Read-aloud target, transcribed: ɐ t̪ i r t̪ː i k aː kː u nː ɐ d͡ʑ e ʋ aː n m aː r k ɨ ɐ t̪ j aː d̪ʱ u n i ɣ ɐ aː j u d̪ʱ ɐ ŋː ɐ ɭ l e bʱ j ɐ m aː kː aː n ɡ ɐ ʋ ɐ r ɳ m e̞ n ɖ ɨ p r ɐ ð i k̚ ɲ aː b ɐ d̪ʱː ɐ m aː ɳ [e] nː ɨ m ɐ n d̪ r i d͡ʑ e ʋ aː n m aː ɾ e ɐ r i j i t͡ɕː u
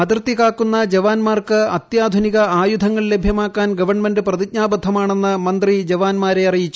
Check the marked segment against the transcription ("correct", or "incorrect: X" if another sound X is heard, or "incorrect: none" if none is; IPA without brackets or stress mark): correct